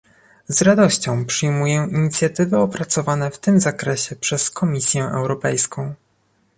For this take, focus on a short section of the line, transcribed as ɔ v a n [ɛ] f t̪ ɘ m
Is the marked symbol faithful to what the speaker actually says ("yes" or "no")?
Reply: yes